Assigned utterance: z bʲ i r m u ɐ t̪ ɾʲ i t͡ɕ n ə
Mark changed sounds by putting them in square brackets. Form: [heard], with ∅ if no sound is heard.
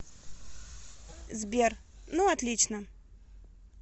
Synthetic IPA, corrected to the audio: z bʲ [e] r [n] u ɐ t̪ [lʲ] i t͡ɕ n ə